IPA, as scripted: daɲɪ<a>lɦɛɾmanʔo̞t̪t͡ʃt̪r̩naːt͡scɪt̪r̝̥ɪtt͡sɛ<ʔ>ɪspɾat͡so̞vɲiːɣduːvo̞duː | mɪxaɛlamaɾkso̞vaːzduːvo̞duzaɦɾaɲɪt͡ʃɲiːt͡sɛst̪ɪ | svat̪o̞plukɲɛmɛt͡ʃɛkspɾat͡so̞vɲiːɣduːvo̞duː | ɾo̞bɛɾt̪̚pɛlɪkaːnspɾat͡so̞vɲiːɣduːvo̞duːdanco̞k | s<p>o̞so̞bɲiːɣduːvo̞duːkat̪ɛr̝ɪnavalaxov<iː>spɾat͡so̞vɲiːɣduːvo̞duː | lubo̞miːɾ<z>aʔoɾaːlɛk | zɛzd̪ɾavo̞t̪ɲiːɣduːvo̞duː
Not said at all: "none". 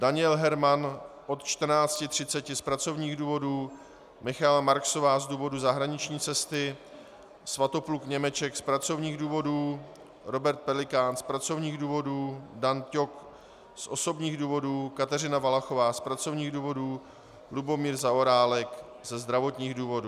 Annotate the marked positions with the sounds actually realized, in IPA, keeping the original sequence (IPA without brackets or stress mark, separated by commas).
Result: ɛ, c, ʔ, aː, z